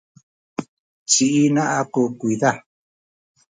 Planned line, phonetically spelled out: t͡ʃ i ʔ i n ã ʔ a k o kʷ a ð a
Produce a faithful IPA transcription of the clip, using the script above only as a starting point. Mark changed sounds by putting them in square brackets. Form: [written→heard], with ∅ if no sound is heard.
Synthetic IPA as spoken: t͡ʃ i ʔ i n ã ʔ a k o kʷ [a→i] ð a